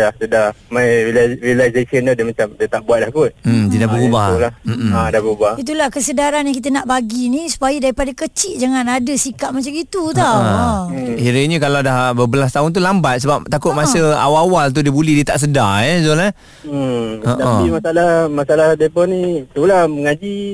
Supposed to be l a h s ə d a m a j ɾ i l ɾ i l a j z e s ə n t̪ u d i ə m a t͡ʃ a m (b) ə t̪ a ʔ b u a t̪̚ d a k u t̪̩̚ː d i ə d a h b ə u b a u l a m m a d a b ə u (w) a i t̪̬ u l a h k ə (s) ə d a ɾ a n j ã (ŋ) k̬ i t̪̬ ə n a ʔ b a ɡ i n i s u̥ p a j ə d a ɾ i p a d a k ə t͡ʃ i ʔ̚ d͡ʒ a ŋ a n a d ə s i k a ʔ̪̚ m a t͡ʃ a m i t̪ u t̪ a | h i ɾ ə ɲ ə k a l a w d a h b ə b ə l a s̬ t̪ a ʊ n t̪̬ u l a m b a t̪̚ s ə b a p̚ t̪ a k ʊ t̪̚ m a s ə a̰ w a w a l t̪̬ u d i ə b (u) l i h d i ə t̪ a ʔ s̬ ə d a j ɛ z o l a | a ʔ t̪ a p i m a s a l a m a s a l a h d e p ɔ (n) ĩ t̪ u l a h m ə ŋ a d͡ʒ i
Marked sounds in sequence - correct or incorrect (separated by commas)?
incorrect, incorrect, correct, correct, correct, correct